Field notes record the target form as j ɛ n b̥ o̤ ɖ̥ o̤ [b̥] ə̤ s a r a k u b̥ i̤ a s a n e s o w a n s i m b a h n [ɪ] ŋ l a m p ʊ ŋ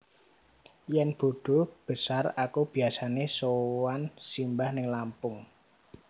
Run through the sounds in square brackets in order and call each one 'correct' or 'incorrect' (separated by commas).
correct, correct